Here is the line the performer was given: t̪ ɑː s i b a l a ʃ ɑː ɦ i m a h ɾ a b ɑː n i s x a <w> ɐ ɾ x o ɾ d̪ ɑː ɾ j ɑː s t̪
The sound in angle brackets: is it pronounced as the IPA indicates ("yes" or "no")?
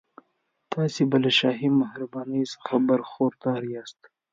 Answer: no